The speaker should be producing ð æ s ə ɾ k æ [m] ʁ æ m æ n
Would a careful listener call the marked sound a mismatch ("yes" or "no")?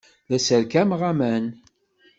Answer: no